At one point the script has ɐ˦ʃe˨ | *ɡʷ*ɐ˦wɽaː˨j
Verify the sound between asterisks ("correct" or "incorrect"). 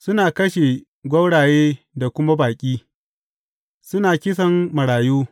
correct